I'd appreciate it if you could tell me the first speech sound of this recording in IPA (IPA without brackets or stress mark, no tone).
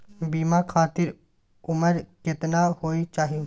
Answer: b